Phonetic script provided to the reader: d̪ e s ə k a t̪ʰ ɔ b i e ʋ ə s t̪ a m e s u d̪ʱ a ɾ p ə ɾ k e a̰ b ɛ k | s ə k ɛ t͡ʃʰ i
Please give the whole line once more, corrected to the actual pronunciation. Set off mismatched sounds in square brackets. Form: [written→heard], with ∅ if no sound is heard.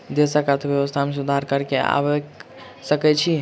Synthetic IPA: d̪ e s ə k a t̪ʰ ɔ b [i→j] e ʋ ə s [t̪→t̪ʰ] a m e s u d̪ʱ a ɾ [p→k] ə ɾ k e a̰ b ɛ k | s ə k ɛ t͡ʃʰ i